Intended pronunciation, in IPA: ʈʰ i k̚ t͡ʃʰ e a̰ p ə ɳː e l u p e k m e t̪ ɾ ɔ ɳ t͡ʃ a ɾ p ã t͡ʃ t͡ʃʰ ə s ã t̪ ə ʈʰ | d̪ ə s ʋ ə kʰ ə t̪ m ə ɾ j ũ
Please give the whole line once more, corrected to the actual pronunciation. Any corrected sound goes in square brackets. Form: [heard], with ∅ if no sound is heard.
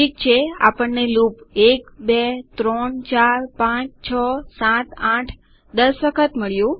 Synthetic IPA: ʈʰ i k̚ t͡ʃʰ e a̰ p ə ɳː e l u p e k [b] e t̪ ɾ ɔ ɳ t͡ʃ a ɾ p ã t͡ʃ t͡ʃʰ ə s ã t̪ [a] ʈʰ | d̪ ə s ʋ ə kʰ ə t̪ m ə [ɭ] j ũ